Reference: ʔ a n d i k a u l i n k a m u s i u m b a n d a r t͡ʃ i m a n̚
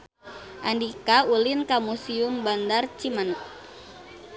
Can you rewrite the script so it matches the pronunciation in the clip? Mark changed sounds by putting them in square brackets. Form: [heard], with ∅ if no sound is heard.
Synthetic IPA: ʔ a n d i k a u l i n k a m u s i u m b a n d a r t͡ʃ i m a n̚